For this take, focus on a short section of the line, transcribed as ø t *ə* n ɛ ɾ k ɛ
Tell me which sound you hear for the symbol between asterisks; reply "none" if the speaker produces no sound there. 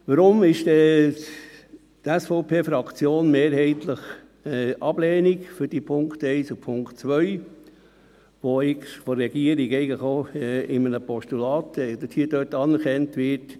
ɑ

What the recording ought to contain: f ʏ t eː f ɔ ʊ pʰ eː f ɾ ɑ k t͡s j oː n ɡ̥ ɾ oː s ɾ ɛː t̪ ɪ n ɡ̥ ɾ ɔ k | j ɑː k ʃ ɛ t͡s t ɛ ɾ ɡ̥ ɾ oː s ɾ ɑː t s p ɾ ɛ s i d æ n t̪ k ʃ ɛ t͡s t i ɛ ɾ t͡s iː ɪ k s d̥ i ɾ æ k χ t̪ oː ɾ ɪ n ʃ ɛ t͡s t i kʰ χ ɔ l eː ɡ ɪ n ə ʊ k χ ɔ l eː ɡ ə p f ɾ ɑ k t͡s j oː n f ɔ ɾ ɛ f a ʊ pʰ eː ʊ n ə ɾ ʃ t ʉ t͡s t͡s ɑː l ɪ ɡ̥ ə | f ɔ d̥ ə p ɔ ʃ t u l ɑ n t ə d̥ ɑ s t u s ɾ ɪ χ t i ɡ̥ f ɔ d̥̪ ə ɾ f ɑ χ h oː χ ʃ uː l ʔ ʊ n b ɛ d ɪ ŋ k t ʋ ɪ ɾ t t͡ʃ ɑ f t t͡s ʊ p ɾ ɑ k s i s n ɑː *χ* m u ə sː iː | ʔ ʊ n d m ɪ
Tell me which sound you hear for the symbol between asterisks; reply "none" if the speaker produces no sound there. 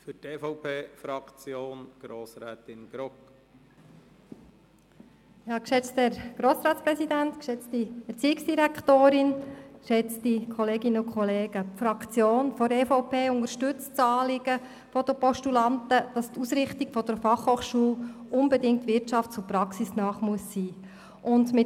χ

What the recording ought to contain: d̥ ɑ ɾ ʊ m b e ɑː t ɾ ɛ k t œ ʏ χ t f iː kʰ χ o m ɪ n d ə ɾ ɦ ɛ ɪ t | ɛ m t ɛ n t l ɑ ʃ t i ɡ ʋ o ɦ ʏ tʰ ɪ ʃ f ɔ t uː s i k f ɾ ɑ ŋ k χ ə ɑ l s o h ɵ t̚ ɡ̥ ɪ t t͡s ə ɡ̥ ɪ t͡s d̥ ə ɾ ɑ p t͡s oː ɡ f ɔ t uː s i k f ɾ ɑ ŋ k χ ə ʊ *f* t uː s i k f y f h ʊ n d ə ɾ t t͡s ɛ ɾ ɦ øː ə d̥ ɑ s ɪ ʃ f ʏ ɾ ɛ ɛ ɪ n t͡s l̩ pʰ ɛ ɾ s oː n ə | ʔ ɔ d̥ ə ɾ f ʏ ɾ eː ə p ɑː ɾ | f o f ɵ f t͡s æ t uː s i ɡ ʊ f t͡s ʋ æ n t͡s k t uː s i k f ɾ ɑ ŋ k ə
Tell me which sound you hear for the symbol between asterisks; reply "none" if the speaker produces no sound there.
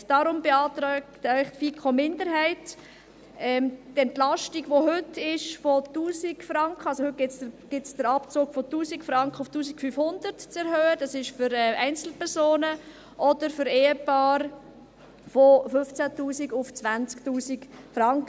f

